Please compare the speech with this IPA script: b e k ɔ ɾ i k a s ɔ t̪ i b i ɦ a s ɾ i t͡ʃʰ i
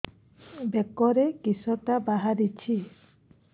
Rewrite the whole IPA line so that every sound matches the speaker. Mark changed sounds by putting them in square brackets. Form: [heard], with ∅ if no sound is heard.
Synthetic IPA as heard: b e k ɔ ɾ [e] k [i] s ɔ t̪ [a] b [a] ɦ a [∅] ɾ i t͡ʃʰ i